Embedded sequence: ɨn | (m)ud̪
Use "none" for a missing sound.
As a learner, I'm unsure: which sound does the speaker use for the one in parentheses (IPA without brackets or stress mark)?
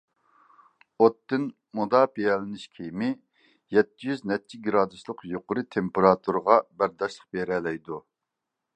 m